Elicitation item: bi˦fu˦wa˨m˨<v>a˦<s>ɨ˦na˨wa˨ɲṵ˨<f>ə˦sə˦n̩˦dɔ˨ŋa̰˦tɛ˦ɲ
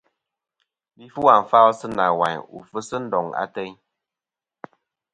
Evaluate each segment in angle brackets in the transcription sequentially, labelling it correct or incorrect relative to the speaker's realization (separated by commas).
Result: incorrect, correct, correct